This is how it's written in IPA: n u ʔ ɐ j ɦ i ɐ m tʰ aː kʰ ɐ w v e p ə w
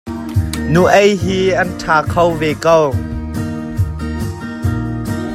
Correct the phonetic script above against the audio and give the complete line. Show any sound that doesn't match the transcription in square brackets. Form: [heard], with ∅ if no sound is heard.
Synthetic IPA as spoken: n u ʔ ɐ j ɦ i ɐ [n] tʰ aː kʰ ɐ w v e [k] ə w